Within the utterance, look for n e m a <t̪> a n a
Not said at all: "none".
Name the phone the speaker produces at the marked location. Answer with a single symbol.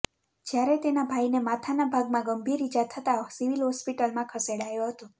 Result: t̪ʰ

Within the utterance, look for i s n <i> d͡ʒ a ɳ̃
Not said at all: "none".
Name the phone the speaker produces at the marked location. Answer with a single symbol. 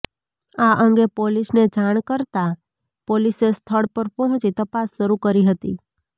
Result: e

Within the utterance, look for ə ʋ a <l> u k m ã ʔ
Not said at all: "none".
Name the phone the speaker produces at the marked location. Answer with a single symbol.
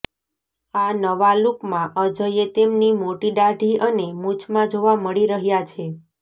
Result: l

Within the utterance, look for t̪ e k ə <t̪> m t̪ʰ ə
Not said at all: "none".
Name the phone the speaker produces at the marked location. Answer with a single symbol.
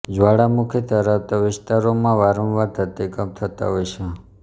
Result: none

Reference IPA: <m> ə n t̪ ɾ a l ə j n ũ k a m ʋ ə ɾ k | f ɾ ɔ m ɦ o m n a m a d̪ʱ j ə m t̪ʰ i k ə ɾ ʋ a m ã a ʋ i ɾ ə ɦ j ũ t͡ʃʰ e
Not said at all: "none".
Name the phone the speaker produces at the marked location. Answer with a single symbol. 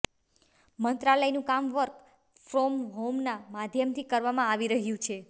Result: m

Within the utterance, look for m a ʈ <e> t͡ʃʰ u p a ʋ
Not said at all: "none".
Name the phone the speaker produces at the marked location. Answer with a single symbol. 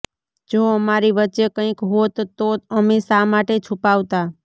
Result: e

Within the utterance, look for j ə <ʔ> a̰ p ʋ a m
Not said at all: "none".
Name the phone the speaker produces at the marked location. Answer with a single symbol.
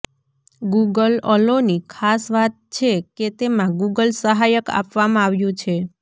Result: k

